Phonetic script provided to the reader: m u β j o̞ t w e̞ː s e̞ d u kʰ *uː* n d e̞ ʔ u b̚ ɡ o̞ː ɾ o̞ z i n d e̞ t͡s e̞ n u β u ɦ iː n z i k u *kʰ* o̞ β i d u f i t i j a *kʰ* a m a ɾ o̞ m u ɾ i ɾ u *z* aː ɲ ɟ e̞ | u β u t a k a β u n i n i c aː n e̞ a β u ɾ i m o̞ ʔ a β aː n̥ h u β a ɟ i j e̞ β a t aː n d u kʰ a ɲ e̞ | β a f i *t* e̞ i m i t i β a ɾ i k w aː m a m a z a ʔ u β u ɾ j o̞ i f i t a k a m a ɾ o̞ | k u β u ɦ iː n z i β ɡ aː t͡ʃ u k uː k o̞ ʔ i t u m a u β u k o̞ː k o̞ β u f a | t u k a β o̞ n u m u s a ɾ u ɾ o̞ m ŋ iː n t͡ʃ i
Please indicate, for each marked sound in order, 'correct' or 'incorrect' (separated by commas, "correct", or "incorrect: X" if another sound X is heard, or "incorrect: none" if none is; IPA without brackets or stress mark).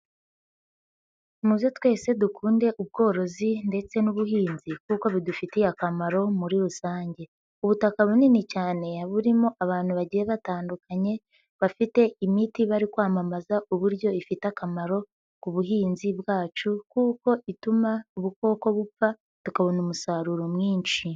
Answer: correct, incorrect: k, incorrect: k, incorrect: s, correct